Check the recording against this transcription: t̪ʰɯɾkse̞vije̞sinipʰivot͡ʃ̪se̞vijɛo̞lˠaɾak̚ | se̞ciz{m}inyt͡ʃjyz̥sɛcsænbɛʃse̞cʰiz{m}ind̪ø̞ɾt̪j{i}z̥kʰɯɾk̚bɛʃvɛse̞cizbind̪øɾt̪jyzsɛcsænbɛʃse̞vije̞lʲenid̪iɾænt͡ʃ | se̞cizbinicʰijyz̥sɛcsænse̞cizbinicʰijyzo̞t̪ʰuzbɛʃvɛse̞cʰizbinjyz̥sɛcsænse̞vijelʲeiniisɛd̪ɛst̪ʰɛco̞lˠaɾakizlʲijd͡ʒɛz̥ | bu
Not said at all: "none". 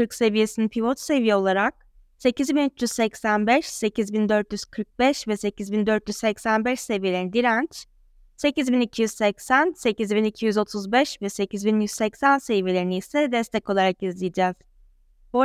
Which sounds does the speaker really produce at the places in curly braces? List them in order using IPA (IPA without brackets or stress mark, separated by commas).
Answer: b, b, y